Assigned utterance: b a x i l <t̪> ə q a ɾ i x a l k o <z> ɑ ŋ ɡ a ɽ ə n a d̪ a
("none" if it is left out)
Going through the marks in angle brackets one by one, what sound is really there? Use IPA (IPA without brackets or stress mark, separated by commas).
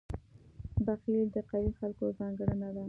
d̪, z